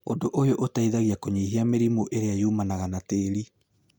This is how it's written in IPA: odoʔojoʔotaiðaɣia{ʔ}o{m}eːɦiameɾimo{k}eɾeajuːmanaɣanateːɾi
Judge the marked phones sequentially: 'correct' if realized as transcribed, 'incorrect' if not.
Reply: incorrect: k, incorrect: ɲ, incorrect: ʔ

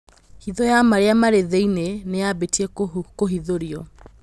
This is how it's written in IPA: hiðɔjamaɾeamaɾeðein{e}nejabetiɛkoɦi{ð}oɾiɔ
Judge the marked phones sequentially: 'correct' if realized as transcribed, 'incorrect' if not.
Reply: correct, correct

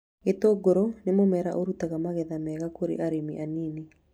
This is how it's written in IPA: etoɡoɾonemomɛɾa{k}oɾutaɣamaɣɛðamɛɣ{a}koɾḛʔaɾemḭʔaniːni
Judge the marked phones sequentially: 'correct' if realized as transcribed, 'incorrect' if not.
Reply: incorrect: ʔ, correct

